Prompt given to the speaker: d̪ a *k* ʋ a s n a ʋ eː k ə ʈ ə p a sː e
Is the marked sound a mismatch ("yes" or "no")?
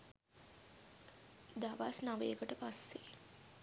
yes